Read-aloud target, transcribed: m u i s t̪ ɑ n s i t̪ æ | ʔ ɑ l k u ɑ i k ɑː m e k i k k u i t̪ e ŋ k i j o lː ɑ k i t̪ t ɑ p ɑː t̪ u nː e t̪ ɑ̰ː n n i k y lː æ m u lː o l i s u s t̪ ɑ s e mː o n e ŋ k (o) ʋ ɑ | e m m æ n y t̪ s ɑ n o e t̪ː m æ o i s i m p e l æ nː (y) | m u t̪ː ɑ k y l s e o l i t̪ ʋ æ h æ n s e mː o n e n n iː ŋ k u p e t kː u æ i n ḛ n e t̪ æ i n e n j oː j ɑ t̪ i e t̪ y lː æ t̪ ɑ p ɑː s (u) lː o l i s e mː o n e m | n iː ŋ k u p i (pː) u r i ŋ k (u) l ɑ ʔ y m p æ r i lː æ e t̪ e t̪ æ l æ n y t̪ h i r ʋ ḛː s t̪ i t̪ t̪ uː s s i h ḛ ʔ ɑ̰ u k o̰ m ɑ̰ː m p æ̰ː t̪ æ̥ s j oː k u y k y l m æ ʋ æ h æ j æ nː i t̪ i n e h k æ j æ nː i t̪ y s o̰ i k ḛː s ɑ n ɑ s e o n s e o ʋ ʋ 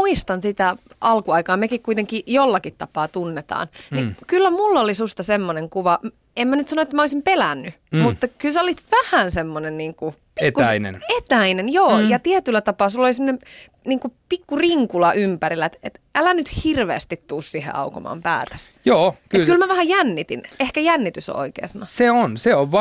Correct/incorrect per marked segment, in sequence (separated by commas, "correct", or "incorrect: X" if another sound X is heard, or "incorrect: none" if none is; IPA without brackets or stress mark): incorrect: u, correct, correct, incorrect: kː, correct